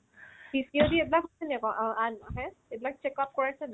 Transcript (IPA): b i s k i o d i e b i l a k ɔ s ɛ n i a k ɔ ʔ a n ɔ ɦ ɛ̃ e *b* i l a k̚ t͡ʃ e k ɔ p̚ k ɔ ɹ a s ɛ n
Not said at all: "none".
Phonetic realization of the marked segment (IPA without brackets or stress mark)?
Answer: b